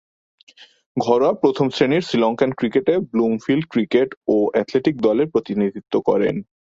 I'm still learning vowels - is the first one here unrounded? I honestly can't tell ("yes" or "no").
no